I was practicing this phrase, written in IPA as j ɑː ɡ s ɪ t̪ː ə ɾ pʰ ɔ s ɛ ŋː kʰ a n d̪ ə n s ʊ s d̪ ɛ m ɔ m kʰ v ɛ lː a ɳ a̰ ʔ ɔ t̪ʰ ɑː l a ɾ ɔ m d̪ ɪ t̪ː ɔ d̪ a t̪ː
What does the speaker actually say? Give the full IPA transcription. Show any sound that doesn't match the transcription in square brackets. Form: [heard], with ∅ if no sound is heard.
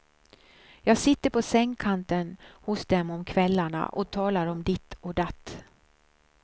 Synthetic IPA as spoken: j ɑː ɡ s ɪ t̪ː ə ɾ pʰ ɔ s ɛ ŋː kʰ a n [t̪] ə n [h] ʊ s d̪ ɛ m ɔ m kʰ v ɛ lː a ɳ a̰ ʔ ɔ t̪ʰ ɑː l a ɾ ɔ m d̪ ɪ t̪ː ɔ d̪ a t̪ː